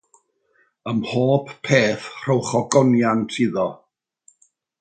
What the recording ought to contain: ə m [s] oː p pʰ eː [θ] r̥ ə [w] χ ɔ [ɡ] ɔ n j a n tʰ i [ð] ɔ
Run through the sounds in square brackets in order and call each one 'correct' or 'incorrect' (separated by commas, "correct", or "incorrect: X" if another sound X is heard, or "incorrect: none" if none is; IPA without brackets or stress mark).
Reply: incorrect: h, correct, correct, correct, correct